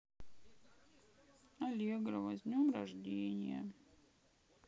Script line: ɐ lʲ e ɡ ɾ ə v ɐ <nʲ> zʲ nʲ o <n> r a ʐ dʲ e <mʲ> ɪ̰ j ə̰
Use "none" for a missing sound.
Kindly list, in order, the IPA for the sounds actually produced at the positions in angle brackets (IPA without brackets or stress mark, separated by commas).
none, m, nʲ